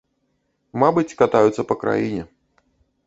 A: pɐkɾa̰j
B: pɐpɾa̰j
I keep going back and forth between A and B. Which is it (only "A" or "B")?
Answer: A